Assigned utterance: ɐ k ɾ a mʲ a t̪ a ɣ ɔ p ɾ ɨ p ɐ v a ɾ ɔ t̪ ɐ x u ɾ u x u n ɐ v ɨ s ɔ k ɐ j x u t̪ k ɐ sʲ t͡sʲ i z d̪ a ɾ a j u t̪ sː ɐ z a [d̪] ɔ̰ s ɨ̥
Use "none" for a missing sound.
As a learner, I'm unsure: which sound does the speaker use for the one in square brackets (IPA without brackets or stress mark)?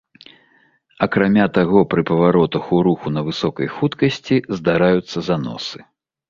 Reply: n̪